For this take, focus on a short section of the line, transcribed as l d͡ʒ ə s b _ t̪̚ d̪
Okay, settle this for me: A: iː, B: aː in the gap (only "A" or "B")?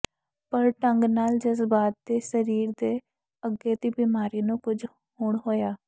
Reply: B